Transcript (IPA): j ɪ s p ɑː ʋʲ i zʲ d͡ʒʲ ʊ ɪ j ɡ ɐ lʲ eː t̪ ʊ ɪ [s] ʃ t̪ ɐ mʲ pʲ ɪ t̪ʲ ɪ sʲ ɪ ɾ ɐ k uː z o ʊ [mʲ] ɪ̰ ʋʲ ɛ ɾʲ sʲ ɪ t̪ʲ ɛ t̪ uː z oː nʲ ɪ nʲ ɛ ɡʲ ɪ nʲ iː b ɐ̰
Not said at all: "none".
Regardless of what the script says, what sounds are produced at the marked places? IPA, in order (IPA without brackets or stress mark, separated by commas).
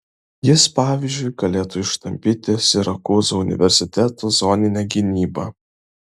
none, nʲ